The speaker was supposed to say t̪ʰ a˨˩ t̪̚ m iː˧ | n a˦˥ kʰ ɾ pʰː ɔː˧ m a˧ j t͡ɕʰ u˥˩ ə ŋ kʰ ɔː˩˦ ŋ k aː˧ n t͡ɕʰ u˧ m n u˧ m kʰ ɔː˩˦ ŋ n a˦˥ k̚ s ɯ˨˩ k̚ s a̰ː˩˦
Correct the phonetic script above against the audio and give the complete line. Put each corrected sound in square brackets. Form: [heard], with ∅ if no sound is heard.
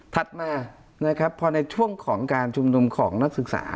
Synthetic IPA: t̪ʰ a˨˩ t̪̚ m [aː˧] | n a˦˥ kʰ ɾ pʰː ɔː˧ [n] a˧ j t͡ɕʰ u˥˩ ə ŋ kʰ ɔː˩˦ ŋ k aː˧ n t͡ɕʰ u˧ m n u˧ m kʰ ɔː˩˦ ŋ n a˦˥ k̚ s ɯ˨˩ k̚ s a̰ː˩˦